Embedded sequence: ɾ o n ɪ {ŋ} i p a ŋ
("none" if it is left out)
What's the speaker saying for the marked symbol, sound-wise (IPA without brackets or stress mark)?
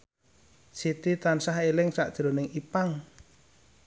ŋ